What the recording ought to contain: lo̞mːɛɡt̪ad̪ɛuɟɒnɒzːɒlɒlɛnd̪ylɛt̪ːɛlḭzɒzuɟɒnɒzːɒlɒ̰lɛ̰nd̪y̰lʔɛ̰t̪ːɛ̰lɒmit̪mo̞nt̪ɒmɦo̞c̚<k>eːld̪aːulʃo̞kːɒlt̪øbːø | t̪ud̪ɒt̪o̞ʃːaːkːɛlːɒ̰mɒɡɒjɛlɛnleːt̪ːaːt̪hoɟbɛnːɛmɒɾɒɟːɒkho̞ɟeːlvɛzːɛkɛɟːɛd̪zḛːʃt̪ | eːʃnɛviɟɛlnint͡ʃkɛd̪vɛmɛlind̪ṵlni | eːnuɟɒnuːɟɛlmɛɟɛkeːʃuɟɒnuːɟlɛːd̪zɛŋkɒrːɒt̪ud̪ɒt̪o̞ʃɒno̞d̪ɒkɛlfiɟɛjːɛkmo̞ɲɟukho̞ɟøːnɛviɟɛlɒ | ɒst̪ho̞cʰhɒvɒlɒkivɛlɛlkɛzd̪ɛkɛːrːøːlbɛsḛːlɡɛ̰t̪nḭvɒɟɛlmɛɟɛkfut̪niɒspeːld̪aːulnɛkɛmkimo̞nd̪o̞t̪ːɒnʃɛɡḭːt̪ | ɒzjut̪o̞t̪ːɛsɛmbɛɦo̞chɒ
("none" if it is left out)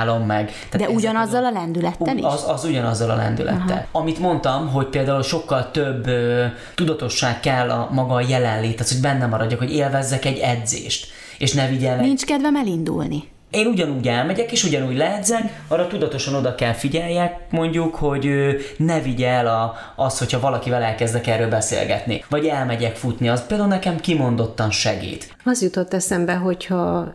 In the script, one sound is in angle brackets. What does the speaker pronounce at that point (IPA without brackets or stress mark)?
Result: p